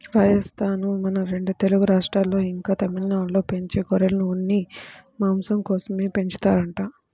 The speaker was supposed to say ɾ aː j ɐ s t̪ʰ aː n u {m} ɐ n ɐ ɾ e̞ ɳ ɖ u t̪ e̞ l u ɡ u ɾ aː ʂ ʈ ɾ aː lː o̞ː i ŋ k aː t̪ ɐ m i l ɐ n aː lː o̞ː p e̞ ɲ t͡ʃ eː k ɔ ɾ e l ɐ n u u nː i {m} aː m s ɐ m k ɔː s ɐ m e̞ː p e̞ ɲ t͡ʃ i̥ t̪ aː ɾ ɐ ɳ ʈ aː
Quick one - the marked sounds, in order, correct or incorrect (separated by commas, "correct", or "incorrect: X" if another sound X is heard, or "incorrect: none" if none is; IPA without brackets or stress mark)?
correct, correct